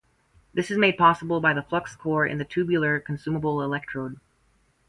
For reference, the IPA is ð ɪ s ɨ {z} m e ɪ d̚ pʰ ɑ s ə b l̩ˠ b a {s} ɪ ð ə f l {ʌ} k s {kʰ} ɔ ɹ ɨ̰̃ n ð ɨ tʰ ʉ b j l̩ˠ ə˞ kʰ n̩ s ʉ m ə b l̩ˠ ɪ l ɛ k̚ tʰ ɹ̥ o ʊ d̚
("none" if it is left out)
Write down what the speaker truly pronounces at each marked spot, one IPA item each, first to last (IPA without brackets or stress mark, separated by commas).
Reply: z, none, ʌ, kʰ